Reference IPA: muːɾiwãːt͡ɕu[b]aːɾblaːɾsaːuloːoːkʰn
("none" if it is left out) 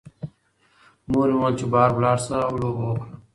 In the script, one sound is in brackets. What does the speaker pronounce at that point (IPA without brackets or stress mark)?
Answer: b